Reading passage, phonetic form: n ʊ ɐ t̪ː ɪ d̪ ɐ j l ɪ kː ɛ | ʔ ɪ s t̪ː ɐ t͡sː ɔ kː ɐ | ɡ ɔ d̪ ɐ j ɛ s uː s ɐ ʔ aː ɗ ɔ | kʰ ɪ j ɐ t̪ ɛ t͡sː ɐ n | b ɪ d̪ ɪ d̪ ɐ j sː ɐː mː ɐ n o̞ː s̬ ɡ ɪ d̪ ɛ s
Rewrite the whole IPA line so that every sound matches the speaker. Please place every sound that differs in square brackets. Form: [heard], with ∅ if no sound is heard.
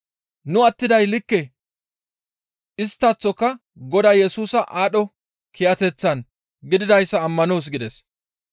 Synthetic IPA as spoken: n ʊ ɐ t̪ː ɪ d̪ ɐ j l ɪ kː ɛ | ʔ ɪ s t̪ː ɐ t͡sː ɔ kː ɐ | ɡ ɔ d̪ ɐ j ɛ s uː s ɐ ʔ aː ɗ ɔ | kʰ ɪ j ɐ t̪ ɛ t͡sː ɐ n | [ɡ] ɪ d̪ ɪ d̪ ɐ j sː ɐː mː ɐ n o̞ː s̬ ɡ ɪ d̪ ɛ s